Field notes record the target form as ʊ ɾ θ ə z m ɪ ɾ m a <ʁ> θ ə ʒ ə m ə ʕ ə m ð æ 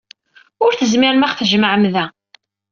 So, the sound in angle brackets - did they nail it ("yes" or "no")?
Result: no